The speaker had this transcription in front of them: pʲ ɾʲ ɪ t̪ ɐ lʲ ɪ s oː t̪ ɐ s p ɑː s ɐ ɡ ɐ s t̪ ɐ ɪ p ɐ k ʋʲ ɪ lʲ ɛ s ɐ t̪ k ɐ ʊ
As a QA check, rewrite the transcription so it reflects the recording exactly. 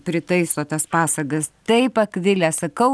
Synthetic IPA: pʲ ɾʲ ɪ t̪ ɐ ɪ s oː t̪ ɐ s p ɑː s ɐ ɡ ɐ s t̪ ɐ ɪ p ɐ k ʋʲ ɪ lʲ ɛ s ɐ k ɐ ʊ